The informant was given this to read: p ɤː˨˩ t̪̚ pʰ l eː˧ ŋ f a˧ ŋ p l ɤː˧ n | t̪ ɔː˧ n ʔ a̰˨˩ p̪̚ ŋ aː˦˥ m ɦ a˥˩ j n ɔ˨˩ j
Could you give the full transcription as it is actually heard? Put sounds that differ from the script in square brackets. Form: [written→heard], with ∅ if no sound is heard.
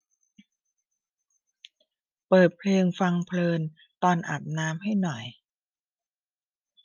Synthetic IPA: p ɤː˨˩ t̪̚ pʰ l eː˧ ŋ f a˧ ŋ [p→pʰ] l ɤː˧ n | t̪ ɔː˧ n ʔ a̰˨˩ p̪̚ [ŋ→n] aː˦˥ m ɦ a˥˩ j n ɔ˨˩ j